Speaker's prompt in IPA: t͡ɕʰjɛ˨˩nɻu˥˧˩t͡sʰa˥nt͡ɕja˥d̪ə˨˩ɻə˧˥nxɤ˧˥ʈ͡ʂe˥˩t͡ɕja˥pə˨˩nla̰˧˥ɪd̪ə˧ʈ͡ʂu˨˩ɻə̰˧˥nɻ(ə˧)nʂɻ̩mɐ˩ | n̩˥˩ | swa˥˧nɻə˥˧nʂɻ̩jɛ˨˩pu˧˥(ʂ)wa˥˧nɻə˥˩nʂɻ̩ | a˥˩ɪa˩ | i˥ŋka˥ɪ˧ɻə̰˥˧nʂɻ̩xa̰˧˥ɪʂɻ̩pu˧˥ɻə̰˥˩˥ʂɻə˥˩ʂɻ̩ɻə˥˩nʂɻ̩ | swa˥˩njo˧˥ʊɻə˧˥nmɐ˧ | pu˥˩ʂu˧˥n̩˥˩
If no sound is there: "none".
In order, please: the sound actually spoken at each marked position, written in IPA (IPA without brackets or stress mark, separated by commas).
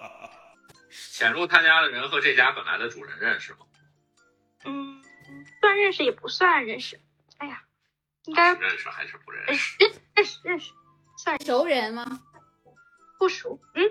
ə˥˧, s